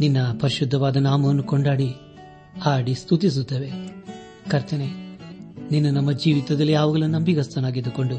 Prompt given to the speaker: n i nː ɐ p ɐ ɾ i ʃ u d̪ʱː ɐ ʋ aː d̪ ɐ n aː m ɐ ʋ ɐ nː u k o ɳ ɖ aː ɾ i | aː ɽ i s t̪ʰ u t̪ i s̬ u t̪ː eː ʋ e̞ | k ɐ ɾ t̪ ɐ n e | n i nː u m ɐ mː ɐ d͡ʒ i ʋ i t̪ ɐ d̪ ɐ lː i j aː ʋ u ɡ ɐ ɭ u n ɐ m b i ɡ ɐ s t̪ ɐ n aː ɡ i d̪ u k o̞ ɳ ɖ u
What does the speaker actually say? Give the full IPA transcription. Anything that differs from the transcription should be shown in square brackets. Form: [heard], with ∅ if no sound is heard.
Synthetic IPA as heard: n i nː ɐ p ɐ ɾ i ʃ u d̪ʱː ɐ ʋ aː d̪ ɐ n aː m ɐ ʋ ɐ nː u k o ɳ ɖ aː [ɽ] i | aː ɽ i s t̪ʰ u t̪ i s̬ u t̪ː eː ʋ e̞ | k ɐ ɾ t̪ ɐ n e | n i nː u [n] ɐ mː ɐ d͡ʒ [iː] ʋ i t̪ ɐ d̪ ɐ lː i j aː ʋ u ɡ ɐ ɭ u n ɐ m b i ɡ ɐ s t̪ ɐ n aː ɡ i d̪ u k o̞ ɳ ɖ u